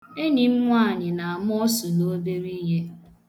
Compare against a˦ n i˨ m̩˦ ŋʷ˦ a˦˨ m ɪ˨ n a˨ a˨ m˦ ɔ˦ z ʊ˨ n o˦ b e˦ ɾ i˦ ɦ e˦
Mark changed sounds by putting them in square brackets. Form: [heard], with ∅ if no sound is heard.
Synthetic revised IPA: [e˦] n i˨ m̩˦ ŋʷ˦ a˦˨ [ɲ] ɪ˨ n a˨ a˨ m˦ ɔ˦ [s] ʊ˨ n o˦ b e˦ ɾ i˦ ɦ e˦